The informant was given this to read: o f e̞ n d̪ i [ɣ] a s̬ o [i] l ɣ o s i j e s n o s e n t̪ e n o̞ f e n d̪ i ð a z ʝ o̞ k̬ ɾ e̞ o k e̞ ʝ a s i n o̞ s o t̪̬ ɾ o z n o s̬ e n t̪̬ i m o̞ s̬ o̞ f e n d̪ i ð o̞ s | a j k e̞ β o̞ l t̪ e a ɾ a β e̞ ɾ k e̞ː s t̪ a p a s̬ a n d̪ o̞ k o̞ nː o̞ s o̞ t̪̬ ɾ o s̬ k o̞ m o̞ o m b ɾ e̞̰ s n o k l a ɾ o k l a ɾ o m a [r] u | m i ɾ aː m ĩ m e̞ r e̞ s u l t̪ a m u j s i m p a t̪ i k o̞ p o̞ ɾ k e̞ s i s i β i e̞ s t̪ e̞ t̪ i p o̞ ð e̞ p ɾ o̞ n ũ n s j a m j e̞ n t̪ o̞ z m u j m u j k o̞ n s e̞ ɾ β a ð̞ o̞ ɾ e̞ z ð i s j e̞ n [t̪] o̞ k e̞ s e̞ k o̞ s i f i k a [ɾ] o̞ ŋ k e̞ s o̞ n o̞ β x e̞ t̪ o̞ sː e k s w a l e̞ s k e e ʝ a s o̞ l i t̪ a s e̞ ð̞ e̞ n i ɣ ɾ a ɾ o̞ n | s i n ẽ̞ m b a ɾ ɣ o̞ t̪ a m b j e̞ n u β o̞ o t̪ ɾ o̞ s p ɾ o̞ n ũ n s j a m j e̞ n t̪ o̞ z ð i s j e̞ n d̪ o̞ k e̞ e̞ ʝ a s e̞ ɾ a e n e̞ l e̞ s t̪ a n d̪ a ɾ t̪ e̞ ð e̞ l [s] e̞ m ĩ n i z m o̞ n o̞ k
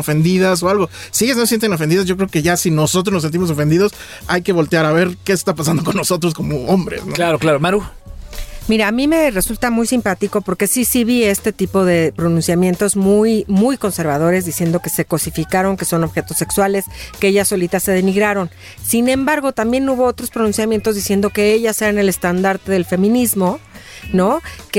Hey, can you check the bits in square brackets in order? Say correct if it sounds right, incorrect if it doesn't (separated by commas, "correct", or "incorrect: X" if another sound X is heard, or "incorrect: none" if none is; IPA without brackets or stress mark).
incorrect: ð, incorrect: a, incorrect: ɾ, incorrect: d̪, correct, incorrect: f